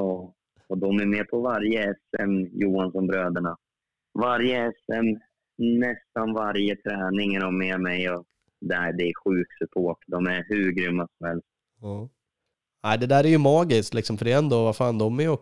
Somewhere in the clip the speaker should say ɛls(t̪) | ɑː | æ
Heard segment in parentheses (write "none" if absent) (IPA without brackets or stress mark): t̪